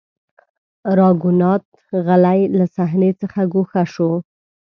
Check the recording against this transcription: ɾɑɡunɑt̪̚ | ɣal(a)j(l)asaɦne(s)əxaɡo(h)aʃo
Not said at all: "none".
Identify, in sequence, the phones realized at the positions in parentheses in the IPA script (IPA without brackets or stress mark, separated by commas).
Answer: a, l, t͡s, x